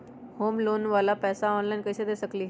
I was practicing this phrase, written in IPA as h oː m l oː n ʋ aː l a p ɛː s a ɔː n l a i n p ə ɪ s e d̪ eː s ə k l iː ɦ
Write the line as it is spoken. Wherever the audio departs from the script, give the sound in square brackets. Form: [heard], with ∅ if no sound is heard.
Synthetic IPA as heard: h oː m l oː n ʋ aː l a p ɛː s a ɔː n l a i n [k] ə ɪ s e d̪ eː s ə k l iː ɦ

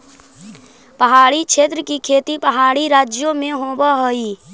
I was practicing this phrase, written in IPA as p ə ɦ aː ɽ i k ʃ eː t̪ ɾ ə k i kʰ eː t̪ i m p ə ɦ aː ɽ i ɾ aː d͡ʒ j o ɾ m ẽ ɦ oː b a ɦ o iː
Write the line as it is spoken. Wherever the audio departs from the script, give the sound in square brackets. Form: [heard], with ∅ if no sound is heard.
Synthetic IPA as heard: p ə ɦ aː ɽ i k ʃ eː t̪ ɾ ə k i kʰ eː t̪ i [∅] p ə ɦ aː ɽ i ɾ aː d͡ʒ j o [∅] m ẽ ɦ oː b a ɦ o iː

